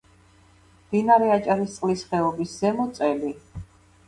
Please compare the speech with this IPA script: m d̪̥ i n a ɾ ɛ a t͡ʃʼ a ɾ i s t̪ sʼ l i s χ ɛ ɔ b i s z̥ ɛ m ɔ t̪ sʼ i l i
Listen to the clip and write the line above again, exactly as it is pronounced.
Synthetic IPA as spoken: m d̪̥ i n a ɾ ɛ a t͡ʃʼ a ɾ i s t̪ sʼ l i s χ ɛ ɔ b i s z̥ ɛ m ɔ t̪ sʼ ɛ l i